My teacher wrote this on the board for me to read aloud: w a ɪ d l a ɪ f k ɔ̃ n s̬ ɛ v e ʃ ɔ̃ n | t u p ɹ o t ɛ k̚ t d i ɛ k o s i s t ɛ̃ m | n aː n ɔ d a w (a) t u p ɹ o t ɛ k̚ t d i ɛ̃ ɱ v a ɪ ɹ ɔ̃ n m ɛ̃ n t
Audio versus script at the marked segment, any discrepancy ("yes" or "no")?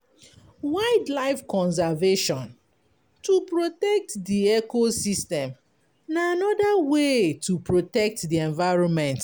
yes